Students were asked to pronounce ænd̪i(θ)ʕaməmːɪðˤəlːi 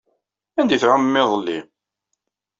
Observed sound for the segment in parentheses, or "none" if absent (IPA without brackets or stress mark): θ